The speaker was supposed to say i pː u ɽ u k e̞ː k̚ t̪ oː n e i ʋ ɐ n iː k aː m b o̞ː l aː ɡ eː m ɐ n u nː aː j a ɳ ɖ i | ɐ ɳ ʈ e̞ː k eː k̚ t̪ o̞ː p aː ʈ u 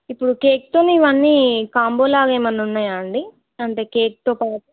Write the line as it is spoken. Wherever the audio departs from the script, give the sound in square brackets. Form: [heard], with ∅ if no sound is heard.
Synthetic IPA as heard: i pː u ɽ u k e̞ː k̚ t̪ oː n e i ʋ ɐ [nː] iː k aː m b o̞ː l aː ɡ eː m ɐ n u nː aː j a ɳ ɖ i | ɐ ɳ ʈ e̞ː k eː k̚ t̪ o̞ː p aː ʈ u